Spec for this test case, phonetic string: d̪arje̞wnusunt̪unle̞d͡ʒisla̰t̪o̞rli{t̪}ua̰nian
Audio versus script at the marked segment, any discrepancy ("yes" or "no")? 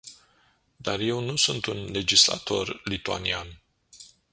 no